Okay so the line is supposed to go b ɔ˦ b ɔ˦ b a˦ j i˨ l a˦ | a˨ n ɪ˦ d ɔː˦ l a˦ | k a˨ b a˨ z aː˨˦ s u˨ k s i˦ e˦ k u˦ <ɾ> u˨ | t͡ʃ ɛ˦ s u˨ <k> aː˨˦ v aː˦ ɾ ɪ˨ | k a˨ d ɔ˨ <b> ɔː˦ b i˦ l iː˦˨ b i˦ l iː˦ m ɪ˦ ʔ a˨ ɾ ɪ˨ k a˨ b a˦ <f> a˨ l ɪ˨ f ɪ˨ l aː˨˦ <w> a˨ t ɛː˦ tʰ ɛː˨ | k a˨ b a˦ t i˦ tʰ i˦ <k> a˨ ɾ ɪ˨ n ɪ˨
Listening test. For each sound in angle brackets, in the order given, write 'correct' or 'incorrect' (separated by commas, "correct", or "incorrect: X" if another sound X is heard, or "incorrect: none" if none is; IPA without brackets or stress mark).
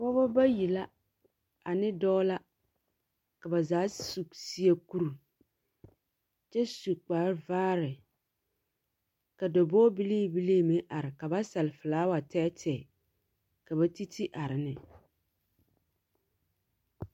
correct, incorrect: k͡p, correct, incorrect: s, correct, incorrect: ʔ